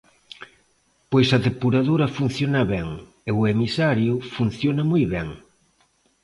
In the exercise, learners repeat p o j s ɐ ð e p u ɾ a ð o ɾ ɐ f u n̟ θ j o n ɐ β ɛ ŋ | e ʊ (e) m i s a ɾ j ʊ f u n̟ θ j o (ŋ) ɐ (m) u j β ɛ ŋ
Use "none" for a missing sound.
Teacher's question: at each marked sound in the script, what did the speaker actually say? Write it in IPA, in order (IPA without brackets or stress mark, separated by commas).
e, n, m